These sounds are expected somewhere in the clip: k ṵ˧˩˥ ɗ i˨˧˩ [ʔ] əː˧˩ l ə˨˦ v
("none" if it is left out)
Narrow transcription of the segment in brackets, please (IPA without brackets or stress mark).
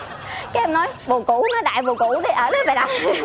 ʔ